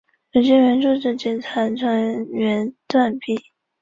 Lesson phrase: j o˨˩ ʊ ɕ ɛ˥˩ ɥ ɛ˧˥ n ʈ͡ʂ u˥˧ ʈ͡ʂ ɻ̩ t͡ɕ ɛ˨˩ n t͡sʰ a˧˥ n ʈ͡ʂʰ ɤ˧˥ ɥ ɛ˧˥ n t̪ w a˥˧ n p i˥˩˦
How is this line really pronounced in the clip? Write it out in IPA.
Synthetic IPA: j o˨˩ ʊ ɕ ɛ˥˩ ɥ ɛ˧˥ n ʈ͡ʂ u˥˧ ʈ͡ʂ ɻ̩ t͡ɕ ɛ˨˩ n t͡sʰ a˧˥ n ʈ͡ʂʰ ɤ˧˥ ɥ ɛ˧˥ n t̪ w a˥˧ n p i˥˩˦